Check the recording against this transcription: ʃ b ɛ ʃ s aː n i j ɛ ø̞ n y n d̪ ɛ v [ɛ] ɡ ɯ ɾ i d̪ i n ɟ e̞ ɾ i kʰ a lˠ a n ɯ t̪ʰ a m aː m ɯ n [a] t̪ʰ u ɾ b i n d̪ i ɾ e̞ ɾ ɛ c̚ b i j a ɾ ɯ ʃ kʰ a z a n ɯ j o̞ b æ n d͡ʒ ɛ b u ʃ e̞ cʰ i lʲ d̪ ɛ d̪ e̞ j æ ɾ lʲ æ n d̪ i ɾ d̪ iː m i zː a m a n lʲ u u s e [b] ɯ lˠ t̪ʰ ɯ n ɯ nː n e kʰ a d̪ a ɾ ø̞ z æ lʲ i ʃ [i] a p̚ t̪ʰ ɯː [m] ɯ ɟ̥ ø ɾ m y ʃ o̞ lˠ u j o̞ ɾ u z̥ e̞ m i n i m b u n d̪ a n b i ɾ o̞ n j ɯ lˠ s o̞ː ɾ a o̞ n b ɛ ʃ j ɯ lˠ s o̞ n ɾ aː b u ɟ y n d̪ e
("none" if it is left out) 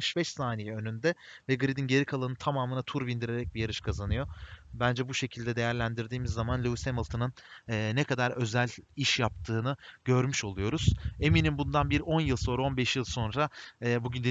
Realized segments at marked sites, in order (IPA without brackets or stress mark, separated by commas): ɛ, a, m, j, n